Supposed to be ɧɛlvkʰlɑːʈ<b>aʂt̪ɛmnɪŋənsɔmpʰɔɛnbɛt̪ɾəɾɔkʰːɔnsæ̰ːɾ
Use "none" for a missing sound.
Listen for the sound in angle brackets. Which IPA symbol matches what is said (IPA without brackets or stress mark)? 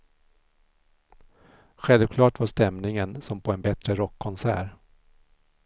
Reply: v